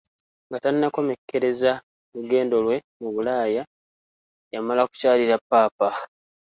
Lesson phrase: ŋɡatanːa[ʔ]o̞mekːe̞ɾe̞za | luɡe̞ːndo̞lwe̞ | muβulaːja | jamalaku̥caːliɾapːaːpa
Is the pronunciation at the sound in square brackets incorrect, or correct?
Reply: incorrect